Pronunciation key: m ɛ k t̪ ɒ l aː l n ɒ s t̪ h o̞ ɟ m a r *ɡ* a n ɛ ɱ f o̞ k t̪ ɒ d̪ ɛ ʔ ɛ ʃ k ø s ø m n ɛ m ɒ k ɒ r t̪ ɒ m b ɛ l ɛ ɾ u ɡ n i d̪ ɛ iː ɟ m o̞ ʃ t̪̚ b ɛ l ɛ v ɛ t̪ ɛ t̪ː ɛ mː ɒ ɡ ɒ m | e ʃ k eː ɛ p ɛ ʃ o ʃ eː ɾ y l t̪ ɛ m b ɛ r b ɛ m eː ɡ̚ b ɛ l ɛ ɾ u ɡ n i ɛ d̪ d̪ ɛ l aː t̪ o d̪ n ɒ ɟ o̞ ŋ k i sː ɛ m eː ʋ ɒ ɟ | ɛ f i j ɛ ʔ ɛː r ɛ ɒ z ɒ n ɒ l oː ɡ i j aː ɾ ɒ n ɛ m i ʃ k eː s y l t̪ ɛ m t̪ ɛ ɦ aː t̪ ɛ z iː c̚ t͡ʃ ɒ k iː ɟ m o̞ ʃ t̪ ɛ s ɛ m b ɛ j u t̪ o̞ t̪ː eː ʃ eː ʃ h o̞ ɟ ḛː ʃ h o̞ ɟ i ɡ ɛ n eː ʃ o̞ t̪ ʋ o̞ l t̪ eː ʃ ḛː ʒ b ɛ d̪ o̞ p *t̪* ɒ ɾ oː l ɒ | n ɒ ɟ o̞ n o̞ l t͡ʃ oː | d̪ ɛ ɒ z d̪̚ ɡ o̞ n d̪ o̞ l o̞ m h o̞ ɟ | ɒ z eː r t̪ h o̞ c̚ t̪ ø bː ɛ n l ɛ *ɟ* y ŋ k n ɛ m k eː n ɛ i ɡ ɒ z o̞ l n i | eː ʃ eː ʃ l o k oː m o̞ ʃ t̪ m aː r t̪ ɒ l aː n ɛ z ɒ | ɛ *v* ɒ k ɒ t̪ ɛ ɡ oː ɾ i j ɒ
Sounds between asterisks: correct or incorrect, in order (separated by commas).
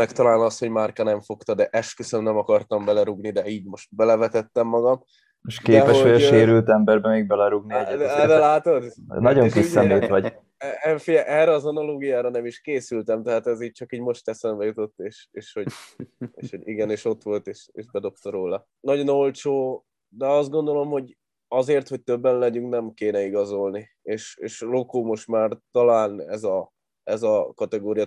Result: incorrect, correct, correct, incorrect